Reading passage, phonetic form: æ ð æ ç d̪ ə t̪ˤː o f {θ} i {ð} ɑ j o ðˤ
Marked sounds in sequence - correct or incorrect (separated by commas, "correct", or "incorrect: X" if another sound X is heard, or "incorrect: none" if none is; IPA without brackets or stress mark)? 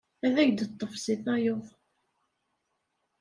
incorrect: s, incorrect: θ